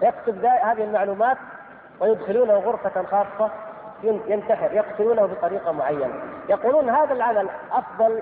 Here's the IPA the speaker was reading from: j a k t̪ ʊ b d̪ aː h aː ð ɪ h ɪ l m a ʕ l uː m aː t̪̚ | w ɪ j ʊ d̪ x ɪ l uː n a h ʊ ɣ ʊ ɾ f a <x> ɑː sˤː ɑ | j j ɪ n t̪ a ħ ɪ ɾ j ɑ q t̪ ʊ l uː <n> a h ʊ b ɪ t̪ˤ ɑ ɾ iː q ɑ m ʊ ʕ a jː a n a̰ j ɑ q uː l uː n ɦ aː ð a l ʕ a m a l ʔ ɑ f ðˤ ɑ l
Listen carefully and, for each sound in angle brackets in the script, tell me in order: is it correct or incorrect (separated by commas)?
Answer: correct, correct